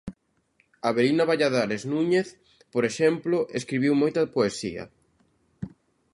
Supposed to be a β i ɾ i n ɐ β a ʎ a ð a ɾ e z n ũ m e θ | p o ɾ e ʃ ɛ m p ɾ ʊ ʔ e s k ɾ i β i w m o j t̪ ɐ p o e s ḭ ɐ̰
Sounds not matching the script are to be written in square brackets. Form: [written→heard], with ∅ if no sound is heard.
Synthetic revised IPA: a β [i→e] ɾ i n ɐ β a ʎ a ð a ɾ e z n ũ [m→ɲ] e θ | p o ɾ e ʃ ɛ m p [ɾ→l] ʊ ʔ e s k ɾ i β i w m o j t̪ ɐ p o e s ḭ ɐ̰